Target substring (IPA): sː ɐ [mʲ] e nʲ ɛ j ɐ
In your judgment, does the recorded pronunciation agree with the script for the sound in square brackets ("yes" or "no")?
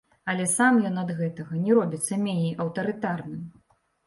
yes